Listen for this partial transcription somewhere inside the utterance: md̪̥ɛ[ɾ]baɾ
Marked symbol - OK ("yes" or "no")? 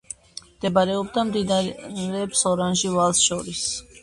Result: no